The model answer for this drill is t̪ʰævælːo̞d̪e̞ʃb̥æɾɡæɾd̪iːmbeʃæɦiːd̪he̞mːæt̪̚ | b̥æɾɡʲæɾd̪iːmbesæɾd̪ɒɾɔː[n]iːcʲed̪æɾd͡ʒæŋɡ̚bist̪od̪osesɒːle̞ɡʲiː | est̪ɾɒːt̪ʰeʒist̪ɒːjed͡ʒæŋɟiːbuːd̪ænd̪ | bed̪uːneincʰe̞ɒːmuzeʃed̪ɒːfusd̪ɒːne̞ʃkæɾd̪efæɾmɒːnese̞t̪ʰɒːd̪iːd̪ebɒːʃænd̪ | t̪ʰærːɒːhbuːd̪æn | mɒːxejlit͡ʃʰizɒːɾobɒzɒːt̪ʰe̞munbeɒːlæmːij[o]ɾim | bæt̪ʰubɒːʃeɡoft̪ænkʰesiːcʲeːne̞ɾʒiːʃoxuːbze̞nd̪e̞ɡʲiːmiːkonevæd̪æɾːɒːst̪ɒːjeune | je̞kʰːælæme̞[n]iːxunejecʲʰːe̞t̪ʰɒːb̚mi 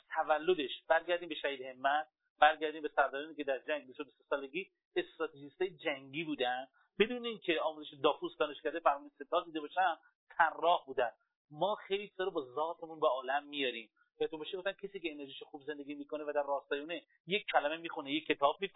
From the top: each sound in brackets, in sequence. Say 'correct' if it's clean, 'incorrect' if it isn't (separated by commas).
correct, incorrect, incorrect